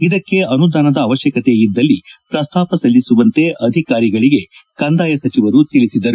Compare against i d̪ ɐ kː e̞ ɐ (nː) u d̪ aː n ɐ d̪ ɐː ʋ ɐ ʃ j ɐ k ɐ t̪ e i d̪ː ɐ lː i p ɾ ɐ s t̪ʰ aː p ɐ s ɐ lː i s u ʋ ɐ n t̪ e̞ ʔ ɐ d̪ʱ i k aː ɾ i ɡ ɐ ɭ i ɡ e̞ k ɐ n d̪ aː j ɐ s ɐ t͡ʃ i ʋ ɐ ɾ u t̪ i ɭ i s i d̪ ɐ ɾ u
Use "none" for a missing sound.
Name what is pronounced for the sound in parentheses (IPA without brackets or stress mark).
n